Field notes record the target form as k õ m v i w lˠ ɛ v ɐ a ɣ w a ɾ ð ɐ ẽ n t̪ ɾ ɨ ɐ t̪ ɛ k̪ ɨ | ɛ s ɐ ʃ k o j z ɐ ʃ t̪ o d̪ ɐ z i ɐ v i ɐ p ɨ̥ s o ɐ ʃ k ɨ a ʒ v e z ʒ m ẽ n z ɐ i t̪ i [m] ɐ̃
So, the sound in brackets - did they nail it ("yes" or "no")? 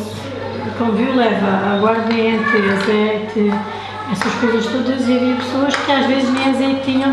no